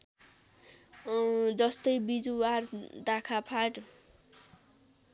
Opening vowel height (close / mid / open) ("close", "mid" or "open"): mid